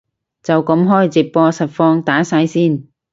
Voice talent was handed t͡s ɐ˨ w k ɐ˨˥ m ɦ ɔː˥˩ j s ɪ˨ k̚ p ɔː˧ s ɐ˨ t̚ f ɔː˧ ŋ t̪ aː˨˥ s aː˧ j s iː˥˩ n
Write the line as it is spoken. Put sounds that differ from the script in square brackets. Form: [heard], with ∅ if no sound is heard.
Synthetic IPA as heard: t͡s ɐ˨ w k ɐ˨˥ m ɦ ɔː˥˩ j [t͡s] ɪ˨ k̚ p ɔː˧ s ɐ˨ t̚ f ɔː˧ ŋ t̪ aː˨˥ s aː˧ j s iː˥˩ n